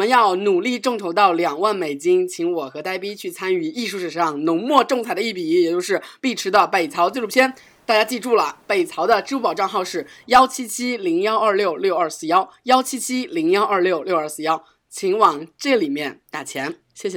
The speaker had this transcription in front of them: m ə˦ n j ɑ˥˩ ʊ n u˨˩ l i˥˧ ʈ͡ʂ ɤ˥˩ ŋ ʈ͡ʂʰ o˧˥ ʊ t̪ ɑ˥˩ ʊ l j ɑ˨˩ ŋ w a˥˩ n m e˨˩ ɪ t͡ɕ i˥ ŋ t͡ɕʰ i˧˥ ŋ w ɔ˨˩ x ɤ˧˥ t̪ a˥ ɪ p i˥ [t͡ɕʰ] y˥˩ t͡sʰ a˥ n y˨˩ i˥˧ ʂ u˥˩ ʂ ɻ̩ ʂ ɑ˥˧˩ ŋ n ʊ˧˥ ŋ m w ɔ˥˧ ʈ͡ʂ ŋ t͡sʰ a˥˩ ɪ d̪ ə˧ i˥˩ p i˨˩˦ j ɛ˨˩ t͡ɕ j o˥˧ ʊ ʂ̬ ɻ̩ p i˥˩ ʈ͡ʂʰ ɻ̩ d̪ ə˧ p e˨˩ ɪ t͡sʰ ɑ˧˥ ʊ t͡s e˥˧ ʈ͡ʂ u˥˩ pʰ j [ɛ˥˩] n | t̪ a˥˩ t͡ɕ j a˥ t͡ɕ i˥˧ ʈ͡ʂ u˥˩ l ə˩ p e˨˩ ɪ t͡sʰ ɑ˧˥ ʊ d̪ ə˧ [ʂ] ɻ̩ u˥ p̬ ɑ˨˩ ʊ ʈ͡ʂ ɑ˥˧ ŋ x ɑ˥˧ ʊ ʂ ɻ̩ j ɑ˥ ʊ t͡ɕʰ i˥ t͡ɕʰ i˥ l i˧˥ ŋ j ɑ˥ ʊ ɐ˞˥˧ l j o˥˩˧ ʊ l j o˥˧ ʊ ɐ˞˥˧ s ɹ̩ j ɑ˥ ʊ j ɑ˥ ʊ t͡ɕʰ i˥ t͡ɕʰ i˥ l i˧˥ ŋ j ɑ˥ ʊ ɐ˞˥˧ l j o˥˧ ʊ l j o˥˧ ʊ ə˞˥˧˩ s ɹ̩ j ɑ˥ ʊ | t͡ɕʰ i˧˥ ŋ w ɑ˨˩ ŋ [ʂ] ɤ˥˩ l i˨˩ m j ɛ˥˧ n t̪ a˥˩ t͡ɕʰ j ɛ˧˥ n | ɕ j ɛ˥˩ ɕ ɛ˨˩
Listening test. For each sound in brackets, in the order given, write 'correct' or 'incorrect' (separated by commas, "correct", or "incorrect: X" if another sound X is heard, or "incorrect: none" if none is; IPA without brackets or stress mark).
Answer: correct, incorrect: ɛ˥, incorrect: ʈ͡ʂ, incorrect: ʈ͡ʂ